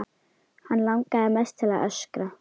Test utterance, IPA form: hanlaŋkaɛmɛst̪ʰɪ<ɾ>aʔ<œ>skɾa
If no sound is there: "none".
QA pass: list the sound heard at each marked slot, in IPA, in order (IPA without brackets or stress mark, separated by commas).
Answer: l, œ